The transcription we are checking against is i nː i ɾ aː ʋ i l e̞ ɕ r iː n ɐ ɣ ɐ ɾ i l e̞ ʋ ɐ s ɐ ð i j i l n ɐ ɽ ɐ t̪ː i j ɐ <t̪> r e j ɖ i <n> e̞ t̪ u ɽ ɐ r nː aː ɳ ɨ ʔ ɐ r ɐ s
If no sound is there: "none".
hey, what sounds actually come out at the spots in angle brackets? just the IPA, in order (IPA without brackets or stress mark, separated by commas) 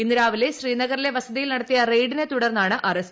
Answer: none, n